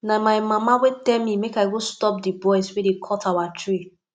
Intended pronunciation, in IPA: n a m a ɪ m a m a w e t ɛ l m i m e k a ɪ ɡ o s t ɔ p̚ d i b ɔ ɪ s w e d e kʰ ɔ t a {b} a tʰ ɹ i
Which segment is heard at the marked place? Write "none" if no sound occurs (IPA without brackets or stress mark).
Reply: w